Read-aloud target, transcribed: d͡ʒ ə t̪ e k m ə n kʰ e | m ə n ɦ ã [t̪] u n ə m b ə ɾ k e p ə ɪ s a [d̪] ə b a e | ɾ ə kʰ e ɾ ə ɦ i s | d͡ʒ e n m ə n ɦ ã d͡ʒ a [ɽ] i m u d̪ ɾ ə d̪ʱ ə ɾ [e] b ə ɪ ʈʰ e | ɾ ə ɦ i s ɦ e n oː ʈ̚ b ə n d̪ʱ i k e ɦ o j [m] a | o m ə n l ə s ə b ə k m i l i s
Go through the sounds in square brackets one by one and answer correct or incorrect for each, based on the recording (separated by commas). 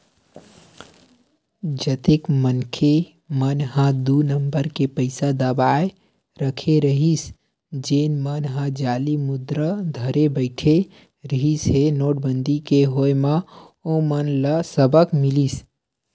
incorrect, correct, incorrect, correct, correct